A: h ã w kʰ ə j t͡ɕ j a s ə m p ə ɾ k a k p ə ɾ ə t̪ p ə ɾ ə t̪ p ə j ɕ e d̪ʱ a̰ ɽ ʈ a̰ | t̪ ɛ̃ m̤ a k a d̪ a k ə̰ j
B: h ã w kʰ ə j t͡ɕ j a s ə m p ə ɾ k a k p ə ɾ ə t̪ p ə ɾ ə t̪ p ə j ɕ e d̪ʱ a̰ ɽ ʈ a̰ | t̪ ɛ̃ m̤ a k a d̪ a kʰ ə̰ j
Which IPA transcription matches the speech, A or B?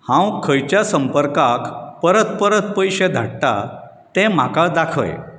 B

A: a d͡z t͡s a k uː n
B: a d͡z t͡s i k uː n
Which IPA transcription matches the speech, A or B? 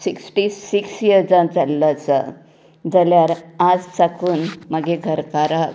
A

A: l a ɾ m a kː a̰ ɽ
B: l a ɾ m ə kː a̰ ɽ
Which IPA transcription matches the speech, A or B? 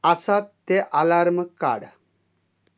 B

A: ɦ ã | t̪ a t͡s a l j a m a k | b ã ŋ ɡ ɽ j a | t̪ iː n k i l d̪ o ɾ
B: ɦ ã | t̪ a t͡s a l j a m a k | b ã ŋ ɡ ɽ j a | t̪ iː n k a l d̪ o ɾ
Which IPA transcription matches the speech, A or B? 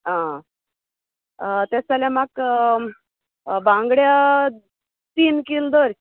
A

